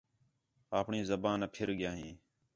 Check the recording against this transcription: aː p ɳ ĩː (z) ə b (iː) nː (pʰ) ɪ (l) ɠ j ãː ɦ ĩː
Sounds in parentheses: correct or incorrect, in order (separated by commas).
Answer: correct, incorrect, correct, incorrect